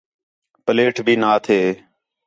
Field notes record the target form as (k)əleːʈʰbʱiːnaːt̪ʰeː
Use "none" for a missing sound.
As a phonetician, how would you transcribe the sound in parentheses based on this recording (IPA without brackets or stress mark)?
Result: p